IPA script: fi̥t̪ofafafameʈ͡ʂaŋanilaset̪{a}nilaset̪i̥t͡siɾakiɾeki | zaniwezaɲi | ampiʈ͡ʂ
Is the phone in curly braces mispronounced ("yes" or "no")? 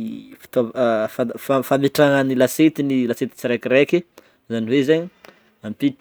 yes